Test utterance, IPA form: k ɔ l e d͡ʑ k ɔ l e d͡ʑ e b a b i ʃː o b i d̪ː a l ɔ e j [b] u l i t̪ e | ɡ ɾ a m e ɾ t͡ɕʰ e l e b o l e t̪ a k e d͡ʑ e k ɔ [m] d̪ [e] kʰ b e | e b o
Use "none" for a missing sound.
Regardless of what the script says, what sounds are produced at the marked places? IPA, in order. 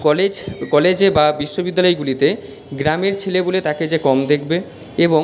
ɡ, m, e

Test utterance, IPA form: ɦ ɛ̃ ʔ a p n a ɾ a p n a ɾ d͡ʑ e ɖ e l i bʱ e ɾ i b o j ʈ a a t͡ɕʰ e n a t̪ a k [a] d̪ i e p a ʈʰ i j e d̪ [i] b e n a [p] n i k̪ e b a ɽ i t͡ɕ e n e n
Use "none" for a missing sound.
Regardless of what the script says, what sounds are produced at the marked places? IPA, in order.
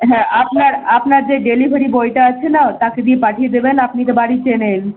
e, e, p

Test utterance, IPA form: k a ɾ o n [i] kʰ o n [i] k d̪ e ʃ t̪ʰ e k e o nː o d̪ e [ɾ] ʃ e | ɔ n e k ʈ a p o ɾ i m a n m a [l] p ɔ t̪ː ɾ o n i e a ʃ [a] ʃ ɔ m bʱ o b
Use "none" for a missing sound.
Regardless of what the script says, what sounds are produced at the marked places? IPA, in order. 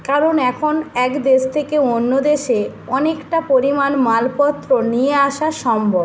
ɛ, ɛ, none, l, a

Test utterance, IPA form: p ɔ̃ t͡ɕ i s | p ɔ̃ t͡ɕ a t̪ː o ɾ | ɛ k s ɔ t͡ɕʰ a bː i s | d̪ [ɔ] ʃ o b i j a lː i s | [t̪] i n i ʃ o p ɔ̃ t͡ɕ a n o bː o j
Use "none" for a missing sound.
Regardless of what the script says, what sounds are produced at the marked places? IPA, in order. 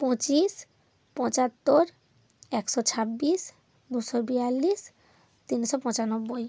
u, t̪

